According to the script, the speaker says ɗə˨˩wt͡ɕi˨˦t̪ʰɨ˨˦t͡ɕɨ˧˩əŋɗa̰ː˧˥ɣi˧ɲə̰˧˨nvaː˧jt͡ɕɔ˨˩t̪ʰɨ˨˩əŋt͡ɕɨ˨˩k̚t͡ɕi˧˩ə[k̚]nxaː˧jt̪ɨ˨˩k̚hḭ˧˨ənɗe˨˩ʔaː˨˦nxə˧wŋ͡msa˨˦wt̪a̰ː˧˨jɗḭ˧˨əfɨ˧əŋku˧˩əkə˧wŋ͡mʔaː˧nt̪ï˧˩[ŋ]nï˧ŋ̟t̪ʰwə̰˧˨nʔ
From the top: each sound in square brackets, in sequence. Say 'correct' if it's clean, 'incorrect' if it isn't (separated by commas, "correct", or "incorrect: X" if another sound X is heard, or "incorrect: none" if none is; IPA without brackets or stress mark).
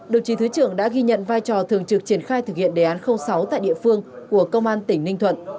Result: incorrect: none, correct